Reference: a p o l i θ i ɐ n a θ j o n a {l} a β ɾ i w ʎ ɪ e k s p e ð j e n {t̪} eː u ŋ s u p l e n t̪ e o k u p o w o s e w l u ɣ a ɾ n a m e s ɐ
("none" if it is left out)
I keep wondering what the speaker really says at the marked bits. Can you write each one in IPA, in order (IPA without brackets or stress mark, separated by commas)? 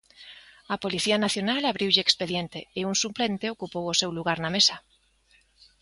l, t̪